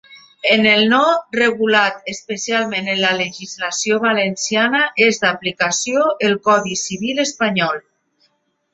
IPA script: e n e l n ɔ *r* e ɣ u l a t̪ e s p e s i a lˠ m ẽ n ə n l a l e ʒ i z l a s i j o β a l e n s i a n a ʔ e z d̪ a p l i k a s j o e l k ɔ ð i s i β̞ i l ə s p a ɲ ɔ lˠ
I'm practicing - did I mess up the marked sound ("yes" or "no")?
no